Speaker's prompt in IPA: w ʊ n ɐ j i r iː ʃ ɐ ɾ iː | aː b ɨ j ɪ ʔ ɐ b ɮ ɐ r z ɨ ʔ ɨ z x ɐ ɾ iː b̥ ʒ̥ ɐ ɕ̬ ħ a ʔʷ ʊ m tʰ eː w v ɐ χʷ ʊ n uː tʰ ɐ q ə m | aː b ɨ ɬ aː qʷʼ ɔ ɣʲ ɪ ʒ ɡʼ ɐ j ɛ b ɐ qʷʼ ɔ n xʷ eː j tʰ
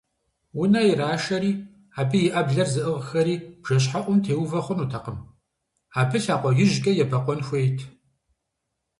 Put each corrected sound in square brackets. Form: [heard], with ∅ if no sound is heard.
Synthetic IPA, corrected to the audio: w ʊ n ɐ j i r [aː] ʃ ɐ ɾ iː | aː b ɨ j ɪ ʔ ɐ b ɮ ɐ r z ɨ ʔ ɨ [ʁ] x ɐ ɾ iː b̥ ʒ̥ ɐ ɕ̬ ħ a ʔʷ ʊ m tʰ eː w v ɐ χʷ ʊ n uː tʰ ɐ q ə m | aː b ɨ ɬ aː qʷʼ ɔ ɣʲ ɪ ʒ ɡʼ ɐ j ɛ b ɐ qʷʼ ɔ n xʷ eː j tʰ